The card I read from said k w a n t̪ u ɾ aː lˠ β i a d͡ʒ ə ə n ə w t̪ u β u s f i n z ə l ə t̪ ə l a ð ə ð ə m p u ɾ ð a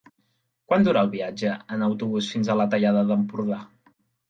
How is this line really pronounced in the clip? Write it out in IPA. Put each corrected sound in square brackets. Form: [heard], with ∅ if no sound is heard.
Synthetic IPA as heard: k w a n [d̪] u ɾ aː lˠ β i a d͡ʒ ə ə n ə w t̪ u β u s f i n z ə l ə t̪ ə [ʎ] a ð ə ð ə m p u ɾ ð a